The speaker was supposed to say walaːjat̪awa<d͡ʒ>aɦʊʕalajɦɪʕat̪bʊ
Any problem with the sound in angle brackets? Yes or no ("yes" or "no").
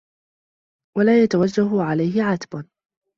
yes